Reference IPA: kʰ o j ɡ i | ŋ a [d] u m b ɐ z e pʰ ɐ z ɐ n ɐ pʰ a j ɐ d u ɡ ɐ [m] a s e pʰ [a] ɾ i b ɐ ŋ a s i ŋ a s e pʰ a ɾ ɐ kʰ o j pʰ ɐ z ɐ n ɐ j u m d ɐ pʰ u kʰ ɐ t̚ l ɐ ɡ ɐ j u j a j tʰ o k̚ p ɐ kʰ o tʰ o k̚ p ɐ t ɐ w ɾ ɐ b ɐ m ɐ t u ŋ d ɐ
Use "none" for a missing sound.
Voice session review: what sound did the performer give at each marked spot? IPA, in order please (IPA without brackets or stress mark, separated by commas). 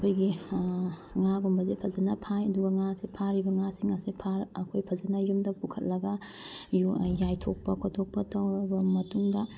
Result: ɡ, ŋ, a